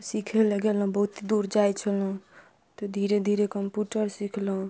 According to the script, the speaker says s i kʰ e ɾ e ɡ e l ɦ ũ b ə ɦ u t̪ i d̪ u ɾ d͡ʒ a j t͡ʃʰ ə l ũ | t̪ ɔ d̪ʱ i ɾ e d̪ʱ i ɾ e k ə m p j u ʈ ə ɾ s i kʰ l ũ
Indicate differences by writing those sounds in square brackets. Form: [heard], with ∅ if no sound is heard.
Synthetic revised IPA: s i kʰ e [l] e ɡ e l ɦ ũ b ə ɦ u t̪ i d̪ u ɾ d͡ʒ a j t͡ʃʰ ə l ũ | t̪ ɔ d̪ʱ i ɾ e d̪ʱ i ɾ e k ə m p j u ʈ ə ɾ s i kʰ l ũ